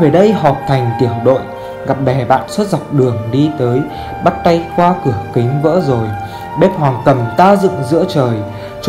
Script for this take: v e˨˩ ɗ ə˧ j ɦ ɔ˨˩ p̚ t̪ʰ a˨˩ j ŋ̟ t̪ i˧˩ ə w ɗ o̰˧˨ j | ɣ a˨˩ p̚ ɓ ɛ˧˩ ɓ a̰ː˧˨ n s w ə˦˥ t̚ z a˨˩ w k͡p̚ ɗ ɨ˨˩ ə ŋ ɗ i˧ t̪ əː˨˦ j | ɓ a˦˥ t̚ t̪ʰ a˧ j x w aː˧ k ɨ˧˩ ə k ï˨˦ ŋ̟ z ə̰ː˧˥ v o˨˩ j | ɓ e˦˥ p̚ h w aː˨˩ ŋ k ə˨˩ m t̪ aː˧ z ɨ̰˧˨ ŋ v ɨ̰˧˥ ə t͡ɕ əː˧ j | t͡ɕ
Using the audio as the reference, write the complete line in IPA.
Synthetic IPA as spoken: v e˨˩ ɗ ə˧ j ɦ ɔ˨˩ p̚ t̪ʰ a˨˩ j ŋ̟ t̪ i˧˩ ə w ɗ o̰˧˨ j | ɣ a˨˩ p̚ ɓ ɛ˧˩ ɓ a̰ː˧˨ n s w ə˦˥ t̚ z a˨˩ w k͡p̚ ɗ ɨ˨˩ ə ŋ ɗ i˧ t̪ əː˨˦ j | ɓ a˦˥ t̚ t̪ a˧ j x w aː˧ k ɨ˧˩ ə k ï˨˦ ŋ̟ v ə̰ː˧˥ z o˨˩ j | ɓ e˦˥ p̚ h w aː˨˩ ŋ k ə˨˩ m t̪ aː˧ z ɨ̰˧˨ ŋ z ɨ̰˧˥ ə t͡ɕ əː˨˩ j | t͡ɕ

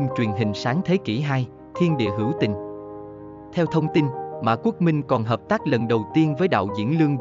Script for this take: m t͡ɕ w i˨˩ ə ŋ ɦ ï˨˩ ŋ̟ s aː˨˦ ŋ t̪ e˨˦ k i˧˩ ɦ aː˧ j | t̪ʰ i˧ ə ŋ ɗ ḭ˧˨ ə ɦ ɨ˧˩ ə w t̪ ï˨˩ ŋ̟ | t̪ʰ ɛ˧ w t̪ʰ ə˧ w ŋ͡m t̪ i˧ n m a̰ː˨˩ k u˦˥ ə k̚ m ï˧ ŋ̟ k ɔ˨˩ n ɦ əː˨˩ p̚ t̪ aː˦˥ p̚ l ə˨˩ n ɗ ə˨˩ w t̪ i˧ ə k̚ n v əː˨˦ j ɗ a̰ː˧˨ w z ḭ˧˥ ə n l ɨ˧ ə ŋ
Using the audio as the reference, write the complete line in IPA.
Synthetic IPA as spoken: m t͡ɕ w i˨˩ ə n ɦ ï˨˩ ŋ̟ s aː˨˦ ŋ t̪ʰ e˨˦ k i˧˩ ɦ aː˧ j | t̪ʰ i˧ ə n ɗ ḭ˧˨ ə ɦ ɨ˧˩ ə w t̪ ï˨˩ ŋ̟ | t̪ʰ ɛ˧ w t̪ʰ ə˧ w ŋ͡m t̪ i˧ n m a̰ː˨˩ k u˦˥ ə k̚ m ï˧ ŋ̟ k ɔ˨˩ n ɦ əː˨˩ p̚ t̪ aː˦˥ k̚ l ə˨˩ n ɗ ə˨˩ w t̪ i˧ ə n v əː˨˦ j ɗ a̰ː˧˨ w z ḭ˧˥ ə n l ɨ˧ ə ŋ

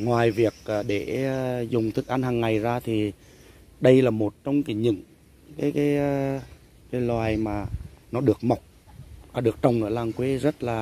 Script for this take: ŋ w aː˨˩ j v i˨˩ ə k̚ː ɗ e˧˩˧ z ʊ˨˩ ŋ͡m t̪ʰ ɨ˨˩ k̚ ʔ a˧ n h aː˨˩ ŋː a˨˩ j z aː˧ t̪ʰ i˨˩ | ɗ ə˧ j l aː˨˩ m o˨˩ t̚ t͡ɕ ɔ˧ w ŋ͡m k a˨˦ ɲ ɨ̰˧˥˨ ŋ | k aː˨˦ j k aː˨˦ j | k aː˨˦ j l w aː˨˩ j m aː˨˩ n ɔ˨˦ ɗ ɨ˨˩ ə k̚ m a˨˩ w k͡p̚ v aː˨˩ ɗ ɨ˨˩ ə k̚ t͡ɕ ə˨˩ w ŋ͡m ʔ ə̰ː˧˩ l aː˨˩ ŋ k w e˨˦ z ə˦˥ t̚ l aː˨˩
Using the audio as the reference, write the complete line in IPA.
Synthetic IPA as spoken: ŋ w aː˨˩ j v i˨˩ ə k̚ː ɗ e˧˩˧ z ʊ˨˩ ŋ͡m t̪ʰ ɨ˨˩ k̚ ʔ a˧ n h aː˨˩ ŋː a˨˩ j z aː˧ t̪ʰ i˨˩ | ɗ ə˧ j l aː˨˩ m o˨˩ t̚ t͡ɕ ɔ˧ w ŋ͡m k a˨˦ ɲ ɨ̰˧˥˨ ŋ | k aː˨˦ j k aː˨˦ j | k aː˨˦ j l w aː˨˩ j m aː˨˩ n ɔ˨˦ ɗ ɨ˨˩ ə k̚ m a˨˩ w k͡p̚ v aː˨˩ ɗ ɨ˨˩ ə k̚ t͡ɕ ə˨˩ w ŋ͡m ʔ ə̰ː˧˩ l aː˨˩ ŋ k w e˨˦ z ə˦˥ t̚ l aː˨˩

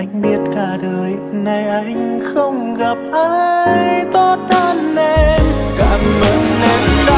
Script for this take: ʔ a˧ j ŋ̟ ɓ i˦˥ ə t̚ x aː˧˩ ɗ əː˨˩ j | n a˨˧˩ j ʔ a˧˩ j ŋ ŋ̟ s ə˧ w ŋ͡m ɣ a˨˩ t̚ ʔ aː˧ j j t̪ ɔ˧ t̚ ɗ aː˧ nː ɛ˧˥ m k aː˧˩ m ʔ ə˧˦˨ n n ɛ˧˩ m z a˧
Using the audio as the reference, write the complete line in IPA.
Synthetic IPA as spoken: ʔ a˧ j ŋ̟ ɓ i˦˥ ə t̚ k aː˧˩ ɗ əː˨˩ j | n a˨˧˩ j ʔ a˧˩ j ŋ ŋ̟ x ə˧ w ŋ͡m ɣ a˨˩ p̚ ʔ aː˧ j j t̪ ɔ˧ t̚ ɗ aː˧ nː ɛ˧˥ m k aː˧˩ m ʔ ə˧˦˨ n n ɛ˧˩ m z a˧

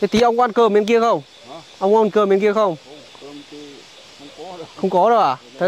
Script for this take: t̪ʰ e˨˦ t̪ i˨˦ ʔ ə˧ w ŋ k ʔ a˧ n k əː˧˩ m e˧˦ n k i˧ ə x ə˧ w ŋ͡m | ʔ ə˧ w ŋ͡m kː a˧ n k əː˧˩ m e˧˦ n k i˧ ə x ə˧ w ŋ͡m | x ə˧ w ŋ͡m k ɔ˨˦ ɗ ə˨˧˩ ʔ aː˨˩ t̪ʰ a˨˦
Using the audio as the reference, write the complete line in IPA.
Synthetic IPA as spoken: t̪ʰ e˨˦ t̪ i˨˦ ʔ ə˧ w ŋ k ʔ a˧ n k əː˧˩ m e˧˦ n k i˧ ə x ə˧ w ŋ͡m | ʔ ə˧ w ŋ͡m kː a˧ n k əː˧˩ m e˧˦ n k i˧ ə x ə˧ w ŋ͡m | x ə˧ w ŋ͡m k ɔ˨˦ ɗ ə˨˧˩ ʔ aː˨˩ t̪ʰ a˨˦

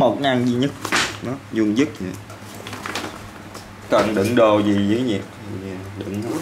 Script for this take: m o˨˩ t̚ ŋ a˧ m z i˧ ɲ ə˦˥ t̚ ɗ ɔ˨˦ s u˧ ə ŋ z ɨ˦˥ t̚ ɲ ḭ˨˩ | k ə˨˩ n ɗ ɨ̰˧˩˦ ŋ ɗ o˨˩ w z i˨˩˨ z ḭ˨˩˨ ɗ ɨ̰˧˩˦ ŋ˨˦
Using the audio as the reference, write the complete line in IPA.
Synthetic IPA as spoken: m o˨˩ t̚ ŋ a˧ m z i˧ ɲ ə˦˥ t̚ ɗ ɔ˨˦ z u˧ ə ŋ z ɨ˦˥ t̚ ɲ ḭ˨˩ | k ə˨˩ n ɗ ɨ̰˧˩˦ ŋ ɗ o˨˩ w z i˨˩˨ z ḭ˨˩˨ ɗ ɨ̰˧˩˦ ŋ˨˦

